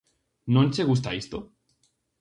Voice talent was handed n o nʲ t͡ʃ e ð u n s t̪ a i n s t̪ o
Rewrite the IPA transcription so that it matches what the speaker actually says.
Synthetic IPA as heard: n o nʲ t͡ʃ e ɣ u s t̪ a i s t̪ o